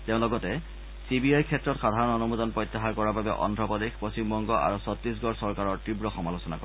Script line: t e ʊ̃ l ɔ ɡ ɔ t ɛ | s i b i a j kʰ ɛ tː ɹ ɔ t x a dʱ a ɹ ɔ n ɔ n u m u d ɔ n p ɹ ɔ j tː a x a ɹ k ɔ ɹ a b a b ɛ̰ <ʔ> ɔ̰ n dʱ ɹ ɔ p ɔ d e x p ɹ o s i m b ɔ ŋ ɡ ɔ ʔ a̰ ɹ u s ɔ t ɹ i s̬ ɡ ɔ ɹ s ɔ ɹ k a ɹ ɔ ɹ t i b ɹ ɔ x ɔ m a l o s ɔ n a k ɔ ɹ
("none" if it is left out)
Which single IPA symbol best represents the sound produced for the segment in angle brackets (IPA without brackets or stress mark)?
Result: ʔ